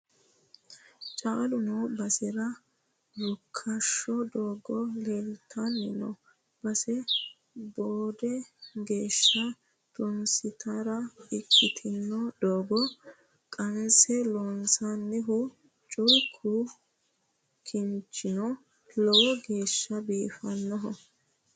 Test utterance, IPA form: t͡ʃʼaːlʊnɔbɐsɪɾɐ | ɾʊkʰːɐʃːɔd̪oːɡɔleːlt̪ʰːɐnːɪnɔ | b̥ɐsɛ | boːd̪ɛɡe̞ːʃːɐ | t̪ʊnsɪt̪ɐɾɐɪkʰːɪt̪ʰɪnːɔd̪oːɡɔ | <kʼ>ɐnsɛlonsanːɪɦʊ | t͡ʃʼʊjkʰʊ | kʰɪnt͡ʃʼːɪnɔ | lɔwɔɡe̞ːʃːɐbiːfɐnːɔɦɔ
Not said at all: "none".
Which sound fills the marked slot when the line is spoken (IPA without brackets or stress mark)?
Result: kʼ